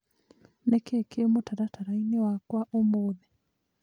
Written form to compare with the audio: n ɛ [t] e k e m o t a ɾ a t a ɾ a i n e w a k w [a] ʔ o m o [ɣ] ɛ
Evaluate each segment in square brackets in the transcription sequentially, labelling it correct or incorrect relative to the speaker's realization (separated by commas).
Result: incorrect, correct, incorrect